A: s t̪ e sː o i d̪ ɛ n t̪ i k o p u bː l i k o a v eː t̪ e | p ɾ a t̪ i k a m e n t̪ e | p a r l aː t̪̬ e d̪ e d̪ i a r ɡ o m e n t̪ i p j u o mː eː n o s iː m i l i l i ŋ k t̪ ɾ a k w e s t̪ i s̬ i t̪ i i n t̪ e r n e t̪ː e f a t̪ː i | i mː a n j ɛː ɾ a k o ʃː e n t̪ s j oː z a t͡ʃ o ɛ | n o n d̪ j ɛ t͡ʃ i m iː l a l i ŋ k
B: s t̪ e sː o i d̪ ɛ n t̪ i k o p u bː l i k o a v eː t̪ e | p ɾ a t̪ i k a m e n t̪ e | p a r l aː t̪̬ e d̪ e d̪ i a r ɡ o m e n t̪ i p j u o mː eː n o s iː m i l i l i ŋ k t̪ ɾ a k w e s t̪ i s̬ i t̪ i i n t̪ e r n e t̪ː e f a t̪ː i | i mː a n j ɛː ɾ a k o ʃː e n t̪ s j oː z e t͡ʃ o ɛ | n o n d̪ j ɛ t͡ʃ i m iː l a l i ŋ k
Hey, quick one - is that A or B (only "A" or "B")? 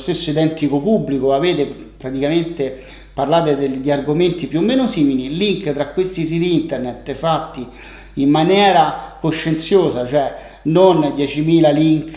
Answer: A